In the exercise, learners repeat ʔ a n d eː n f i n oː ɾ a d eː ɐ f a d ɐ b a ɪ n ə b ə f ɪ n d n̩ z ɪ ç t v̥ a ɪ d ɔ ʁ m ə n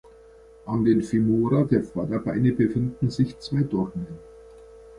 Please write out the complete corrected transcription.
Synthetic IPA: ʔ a n d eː n f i m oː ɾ a d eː ɐ f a d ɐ b a ɪ n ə b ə f ɪ n d n̩ z ɪ ç t͡s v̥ a ɪ d ɔ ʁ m ə n